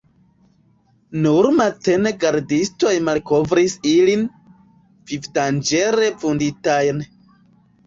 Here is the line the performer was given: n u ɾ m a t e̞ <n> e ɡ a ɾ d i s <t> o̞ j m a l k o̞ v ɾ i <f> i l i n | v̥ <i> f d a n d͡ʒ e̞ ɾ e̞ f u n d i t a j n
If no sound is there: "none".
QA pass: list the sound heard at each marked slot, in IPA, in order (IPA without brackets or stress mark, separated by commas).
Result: n, t, s, i